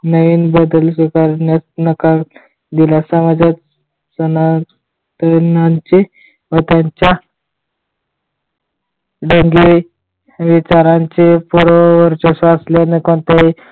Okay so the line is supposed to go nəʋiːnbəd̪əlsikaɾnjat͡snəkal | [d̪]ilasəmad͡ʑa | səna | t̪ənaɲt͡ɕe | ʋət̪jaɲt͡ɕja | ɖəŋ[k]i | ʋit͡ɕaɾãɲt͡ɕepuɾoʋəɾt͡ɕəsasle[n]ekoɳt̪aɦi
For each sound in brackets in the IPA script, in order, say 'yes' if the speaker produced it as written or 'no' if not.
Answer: yes, no, yes

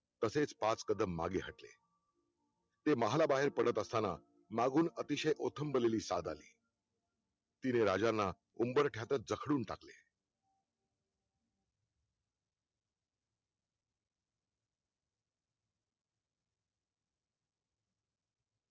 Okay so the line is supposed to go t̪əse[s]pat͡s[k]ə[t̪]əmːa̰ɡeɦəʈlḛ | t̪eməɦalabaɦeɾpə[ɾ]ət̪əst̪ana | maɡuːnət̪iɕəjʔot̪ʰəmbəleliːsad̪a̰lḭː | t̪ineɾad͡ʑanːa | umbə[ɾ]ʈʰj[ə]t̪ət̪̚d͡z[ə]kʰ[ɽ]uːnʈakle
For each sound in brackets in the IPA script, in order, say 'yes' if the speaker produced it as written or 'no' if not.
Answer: no, yes, no, no, yes, no, yes, yes

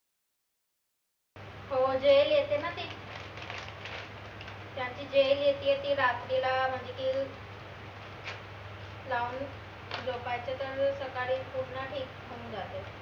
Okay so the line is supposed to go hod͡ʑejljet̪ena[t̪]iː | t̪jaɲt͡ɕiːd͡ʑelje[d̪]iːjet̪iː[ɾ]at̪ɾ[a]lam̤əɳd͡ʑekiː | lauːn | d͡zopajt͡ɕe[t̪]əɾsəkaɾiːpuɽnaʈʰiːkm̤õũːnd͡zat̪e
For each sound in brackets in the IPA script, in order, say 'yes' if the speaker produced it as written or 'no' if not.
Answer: yes, no, yes, no, yes

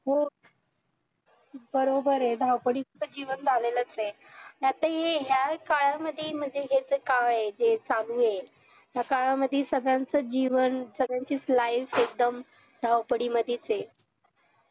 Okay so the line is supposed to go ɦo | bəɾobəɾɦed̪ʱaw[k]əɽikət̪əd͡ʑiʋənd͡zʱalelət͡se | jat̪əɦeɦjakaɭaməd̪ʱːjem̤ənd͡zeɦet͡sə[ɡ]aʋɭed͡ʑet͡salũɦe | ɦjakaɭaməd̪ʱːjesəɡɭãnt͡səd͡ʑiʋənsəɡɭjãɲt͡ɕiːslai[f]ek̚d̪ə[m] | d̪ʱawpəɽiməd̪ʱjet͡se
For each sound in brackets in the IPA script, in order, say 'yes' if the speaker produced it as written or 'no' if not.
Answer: no, no, yes, yes

